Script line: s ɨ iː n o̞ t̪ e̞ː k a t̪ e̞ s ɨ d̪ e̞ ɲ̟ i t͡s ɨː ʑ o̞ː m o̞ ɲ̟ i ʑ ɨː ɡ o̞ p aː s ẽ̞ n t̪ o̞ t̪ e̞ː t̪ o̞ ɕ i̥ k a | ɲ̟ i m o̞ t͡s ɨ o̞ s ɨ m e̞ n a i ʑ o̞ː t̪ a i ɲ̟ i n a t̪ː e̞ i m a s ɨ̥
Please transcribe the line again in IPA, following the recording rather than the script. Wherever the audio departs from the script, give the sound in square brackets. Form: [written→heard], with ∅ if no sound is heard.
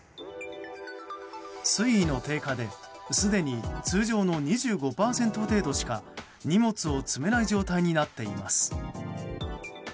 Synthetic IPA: s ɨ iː n o̞ t̪ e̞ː k a [t̪→d̪] e̞ s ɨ d̪ e̞ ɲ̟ i t͡s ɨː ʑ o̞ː [m→n] o̞ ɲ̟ i ʑ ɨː ɡ o̞ p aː s ẽ̞ n t̪ o̞ t̪ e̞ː [t̪→d̪] o̞ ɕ i̥ k a | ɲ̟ i m o̞ t͡s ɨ o̞ [s→t͡s] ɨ m e̞ n a i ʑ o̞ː t̪ a i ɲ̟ i n a t̪ː e̞ i m a s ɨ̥